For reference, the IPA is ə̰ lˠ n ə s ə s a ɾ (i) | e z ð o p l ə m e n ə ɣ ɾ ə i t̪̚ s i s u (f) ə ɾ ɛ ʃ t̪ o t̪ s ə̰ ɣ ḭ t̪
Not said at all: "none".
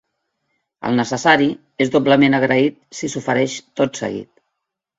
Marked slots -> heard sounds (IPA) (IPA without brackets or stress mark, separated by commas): i, f